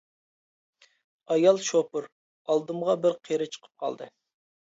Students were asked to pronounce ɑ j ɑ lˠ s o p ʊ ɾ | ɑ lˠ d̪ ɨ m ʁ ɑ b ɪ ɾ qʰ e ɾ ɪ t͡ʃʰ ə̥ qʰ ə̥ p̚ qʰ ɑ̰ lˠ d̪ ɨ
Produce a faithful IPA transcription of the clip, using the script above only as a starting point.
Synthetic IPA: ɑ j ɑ lˠ ʃ o p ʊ ɾ | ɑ lˠ d̪ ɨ m ʁ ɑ b ɪ ɾ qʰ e ɾ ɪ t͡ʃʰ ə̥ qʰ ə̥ p̚ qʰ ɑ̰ lˠ d̪ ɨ